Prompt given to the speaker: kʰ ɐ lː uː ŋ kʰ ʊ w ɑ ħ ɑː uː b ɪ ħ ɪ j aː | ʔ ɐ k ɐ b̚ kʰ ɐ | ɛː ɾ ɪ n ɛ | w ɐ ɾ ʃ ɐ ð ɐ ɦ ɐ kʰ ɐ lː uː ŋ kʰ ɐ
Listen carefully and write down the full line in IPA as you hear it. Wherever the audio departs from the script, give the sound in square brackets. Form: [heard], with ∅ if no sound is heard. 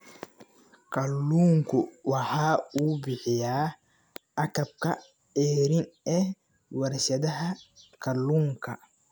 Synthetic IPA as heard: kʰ ɐ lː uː ŋ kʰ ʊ w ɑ ħ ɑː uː b ɪ ħ ɪ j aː | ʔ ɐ k ɐ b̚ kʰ ɐ | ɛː ɾ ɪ n ɛ | w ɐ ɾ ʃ ɐ ð ɐ ɦ ɐ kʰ ɐ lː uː ŋ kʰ ɐ